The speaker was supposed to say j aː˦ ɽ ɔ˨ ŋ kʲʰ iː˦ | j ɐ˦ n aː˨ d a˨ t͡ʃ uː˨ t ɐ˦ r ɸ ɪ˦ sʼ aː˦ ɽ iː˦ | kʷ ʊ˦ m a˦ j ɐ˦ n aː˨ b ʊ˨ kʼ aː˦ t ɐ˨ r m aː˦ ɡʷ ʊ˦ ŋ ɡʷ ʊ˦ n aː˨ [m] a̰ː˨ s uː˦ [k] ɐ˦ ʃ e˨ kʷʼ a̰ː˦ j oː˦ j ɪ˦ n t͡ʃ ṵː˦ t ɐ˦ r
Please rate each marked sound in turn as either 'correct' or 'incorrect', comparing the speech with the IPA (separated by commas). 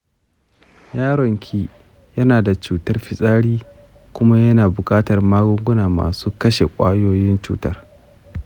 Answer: correct, correct